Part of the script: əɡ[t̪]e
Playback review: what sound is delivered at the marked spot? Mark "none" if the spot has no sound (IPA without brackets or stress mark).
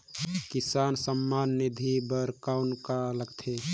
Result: t̪ʰ